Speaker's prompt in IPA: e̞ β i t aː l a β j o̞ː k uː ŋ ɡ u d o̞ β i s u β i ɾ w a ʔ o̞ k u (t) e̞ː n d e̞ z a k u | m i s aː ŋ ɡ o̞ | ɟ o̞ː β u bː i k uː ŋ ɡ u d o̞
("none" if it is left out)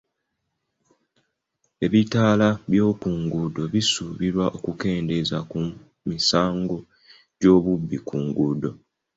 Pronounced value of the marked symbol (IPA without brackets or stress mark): k